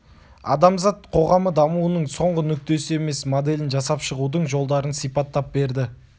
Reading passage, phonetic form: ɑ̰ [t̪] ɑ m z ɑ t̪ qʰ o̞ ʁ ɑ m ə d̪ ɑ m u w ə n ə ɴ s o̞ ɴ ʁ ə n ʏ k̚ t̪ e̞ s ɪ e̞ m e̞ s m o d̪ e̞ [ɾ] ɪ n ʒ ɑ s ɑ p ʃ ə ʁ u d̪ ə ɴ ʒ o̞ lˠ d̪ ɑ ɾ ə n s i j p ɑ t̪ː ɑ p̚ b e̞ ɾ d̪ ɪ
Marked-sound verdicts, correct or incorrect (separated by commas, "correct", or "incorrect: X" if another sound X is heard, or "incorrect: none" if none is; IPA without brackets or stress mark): incorrect: d̪, incorrect: l